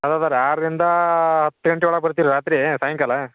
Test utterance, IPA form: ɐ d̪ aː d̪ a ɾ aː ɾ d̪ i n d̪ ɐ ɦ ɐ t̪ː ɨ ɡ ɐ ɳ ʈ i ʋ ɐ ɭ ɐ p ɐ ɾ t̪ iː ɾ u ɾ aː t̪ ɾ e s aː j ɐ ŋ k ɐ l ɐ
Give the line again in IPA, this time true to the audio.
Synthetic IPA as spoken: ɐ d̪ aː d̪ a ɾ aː ɾ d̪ i n d̪ ɐ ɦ ɐ t̪ː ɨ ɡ ɐ ɳ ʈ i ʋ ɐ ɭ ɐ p ɐ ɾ t̪ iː ɾ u ɾ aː t̪ ɾ i s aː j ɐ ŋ k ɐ l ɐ